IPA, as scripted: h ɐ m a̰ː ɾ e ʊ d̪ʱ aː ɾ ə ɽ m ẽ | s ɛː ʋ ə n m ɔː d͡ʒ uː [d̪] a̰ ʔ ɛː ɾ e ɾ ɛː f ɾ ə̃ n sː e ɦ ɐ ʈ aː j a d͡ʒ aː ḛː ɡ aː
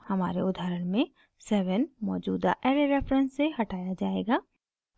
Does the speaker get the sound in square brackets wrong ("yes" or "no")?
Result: no